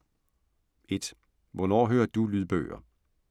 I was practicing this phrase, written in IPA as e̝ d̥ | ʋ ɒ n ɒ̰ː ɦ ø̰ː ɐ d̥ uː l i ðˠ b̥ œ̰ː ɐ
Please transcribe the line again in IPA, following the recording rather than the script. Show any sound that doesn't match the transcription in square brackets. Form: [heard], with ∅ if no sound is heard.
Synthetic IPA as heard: e̝ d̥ | ʋ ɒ n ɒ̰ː ɦ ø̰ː ɐ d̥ [u] l [y] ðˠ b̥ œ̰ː ɐ